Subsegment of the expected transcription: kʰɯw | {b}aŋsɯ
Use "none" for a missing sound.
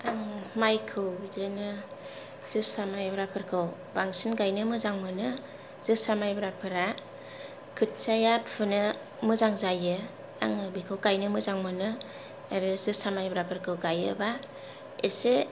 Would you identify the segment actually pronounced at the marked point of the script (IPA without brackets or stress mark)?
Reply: b